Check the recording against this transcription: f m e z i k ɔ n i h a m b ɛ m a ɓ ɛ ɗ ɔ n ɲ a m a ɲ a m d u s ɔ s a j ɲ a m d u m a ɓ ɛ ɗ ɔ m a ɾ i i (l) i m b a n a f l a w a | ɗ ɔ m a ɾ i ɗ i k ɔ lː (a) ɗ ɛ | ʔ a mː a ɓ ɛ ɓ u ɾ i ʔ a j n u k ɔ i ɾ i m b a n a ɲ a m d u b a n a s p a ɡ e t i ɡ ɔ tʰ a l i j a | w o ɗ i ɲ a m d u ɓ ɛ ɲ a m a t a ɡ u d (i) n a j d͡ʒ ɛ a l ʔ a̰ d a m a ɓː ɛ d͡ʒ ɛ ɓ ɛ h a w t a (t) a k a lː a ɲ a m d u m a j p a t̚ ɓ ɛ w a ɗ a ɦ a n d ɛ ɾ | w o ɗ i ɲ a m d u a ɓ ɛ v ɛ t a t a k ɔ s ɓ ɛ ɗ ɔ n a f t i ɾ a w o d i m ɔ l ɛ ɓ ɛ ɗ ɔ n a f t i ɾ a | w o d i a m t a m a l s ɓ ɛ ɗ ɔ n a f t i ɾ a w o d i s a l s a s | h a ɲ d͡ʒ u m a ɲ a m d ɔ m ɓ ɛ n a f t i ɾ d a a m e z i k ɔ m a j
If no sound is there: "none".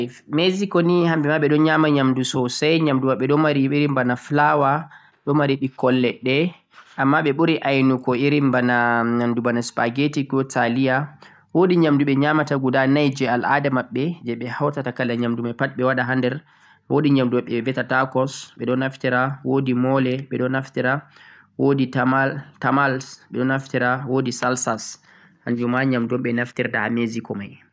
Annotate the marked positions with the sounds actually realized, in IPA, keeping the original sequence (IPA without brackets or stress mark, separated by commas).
ɾ, ɛ, a, t